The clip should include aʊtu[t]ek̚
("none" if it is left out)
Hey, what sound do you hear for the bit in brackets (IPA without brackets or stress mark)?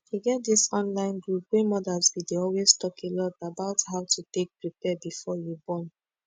t